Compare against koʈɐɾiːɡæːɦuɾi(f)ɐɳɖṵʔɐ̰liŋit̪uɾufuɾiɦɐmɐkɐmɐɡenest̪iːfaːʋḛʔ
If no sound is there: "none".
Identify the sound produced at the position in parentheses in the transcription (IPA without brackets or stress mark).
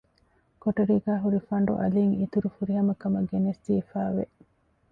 f